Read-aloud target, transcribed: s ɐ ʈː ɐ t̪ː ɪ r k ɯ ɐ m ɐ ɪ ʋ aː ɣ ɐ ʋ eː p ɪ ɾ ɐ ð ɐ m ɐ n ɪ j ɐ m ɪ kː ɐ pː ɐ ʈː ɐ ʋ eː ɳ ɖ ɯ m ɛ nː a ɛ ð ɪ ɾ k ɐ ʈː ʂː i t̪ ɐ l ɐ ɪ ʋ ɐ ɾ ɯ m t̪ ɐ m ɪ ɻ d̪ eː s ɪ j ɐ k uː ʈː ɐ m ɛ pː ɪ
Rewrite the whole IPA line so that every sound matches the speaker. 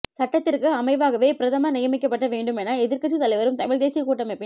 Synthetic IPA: s ɐ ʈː ɐ t̪ː ɪ r k ɯ ɐ m ɐ ɪ ʋ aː ɣ ɐ ʋ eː p ɪ ɾ ɐ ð ɐ m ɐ n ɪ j ɐ m ɪ kː ɐ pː ɐ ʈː ɐ ʋ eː ɳ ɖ ɯ m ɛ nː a ɛ ð ɪ ɾ k ɐ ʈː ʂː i t̪ ɐ l ɐ ɪ ʋ ɐ ɾ ɯ m t̪ ɐ m ɪ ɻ d̪ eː s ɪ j ɐ k uː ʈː ɐ m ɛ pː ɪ